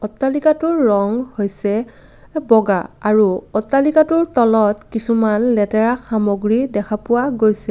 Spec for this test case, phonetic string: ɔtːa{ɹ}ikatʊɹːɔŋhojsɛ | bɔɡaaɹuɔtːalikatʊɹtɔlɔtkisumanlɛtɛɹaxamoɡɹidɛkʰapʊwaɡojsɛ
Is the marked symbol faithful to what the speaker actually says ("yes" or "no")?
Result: no